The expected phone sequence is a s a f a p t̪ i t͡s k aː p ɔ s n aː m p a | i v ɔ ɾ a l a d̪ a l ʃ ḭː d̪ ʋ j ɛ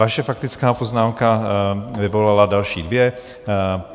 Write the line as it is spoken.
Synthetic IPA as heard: a ʃ a f a k t̪ i t͡s k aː p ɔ z n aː m k a | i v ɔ l a l a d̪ a l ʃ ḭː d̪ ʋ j ɛ